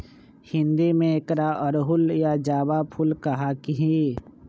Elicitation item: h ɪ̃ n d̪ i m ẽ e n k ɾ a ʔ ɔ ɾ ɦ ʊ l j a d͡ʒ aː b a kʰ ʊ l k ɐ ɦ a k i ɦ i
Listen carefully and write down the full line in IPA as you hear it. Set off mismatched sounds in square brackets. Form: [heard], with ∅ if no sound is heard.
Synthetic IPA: h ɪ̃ n d̪ i m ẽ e [∅] k ɾ a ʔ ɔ ɾ ɦ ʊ l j a d͡ʒ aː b a [pʰ] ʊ l k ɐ ɦ a k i ɦ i